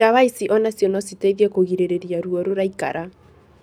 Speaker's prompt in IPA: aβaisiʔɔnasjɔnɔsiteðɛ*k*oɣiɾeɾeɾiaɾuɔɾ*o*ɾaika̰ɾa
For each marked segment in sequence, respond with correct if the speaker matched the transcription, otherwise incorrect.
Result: correct, correct

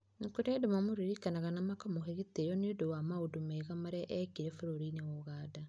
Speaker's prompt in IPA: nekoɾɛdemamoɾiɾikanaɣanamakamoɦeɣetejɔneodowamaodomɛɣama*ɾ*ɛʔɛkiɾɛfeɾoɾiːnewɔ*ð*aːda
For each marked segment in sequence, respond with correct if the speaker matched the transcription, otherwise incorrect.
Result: correct, incorrect

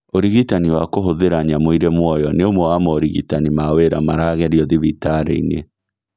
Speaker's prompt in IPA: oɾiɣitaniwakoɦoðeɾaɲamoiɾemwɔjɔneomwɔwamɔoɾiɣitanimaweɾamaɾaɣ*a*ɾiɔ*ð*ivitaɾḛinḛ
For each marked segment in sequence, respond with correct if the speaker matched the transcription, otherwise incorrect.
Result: incorrect, correct

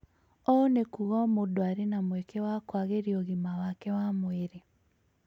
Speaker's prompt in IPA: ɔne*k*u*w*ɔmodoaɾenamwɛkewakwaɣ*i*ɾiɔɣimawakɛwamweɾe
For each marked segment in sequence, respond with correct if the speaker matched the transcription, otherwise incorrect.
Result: correct, incorrect, incorrect

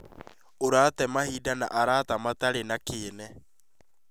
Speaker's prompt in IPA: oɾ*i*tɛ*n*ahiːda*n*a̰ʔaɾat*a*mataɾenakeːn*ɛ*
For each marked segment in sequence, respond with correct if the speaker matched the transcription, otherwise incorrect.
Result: incorrect, incorrect, correct, correct, correct

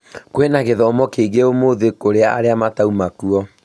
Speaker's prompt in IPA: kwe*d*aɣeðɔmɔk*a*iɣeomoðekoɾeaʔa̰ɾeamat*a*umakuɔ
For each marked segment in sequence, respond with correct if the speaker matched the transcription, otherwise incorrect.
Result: incorrect, incorrect, correct

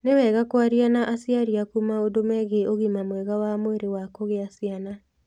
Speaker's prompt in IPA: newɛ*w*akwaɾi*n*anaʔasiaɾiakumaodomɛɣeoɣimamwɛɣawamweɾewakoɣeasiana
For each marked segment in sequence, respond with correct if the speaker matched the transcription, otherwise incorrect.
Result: incorrect, incorrect

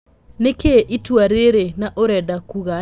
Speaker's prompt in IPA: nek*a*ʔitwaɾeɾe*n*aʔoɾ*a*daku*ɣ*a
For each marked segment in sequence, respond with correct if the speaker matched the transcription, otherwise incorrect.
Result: incorrect, correct, incorrect, correct

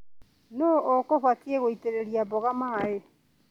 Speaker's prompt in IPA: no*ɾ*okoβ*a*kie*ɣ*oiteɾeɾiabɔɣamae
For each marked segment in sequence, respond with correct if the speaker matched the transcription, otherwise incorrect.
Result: incorrect, correct, correct

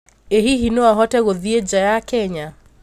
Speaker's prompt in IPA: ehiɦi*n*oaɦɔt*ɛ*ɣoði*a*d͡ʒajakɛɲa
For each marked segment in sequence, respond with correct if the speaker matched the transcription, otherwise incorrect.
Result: correct, correct, incorrect

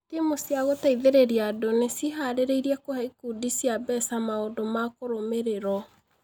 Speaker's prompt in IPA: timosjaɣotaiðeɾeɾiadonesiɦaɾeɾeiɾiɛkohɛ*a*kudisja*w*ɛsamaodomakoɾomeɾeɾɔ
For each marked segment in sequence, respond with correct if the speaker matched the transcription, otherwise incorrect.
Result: incorrect, incorrect

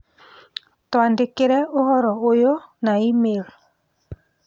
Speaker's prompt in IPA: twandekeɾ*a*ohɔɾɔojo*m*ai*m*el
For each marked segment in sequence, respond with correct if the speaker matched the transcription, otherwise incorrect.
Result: incorrect, incorrect, correct

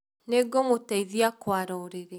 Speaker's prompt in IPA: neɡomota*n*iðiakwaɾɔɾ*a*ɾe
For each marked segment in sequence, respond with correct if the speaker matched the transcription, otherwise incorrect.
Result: incorrect, incorrect

